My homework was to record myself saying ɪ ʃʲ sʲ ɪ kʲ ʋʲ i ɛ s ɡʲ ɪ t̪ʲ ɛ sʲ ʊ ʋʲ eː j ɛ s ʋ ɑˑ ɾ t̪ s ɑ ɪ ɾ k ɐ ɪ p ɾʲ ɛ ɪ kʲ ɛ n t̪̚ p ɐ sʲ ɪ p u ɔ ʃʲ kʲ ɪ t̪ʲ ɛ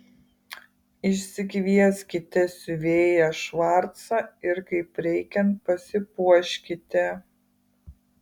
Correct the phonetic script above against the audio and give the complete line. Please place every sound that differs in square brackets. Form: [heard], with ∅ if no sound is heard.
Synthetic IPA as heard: ɪ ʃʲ sʲ ɪ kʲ ʋʲ i ɛ s [kʲ] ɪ t̪ʲ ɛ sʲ ʊ ʋʲ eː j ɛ [ʃ] ʋ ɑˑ ɾ t̪ s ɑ ɪ ɾ k ɐ ɪ p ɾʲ ɛ ɪ kʲ ɛ n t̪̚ p ɐ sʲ ɪ p u ɔ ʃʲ kʲ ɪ t̪ʲ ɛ